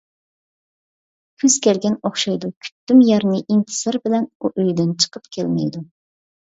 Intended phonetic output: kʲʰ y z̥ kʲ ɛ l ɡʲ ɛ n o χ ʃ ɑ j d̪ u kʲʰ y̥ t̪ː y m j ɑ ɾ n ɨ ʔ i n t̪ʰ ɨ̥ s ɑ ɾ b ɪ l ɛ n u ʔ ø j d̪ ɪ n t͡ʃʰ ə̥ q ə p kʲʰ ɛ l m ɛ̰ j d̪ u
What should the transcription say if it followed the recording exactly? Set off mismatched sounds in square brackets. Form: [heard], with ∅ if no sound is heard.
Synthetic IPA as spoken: kʲʰ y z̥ kʲ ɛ l ɡʲ ɛ n o χ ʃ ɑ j d̪ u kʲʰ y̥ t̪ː y m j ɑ ɾ n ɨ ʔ i n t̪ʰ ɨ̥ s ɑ ɾ b ɪ l ɛ n u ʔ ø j d̪ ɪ n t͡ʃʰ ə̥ q ə p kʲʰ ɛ l m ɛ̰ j d̪ u